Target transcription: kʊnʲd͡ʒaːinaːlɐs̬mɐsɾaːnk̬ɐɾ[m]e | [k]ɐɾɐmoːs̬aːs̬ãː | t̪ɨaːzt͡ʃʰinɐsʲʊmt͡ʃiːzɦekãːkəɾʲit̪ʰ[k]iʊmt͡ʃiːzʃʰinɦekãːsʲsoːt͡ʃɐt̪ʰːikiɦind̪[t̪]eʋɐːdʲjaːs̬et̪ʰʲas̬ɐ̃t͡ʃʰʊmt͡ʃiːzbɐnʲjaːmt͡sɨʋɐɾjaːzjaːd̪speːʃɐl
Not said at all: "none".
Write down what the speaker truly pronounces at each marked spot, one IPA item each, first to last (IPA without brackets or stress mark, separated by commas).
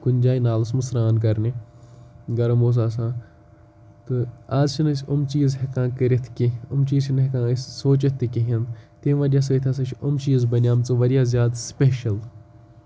n, ɡ, k, t̪